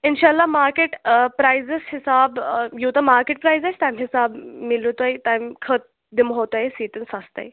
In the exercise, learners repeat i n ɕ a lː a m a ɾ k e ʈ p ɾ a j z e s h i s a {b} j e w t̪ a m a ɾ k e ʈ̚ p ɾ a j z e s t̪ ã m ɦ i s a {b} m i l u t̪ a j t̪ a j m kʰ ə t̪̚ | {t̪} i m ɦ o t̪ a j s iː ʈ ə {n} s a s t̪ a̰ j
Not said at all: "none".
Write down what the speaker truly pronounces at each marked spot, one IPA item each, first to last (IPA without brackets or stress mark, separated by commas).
b, b, d̪, n